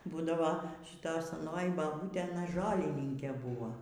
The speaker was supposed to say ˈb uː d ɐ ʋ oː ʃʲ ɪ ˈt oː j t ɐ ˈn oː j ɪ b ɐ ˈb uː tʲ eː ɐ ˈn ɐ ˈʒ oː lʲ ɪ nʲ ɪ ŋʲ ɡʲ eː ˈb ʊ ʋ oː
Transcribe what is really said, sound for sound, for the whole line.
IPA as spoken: ˈb uː d ɐ ʋ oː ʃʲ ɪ ˈt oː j s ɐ ˈn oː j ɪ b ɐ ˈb uː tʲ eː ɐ ˈn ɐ ˈʒ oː lʲ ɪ nʲ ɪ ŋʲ kʲ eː ˈb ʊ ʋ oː